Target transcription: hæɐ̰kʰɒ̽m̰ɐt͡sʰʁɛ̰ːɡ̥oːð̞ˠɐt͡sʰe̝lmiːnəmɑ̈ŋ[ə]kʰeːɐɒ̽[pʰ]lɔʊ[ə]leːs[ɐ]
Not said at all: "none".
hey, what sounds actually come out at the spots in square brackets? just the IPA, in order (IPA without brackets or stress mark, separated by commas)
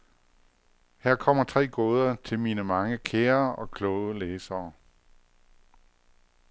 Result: ə, kʰ, ə, ɐː